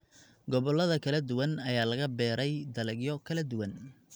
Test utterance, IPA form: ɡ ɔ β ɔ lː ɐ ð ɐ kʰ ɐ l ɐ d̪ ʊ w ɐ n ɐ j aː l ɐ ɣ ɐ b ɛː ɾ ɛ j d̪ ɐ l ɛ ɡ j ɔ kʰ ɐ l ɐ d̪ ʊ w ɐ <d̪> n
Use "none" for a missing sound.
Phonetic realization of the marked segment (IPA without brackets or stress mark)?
none